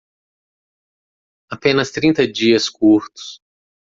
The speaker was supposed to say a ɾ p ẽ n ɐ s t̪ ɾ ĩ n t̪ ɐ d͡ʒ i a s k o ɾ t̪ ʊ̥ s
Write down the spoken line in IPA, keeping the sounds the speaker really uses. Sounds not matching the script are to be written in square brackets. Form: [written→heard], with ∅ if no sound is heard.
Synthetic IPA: a [ɾ→∅] p ẽ n ɐ s t̪ ɾ ĩ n t̪ ɐ d͡ʒ i [a→ɐ] s k [o→u] ɾ t̪ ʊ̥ s